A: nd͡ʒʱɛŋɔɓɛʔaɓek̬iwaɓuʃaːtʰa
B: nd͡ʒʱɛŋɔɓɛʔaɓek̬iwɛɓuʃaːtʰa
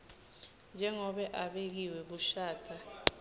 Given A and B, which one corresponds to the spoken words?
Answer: B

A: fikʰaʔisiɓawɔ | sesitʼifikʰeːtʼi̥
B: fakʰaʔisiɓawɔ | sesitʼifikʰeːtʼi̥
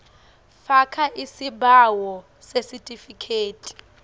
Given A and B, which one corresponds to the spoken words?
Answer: B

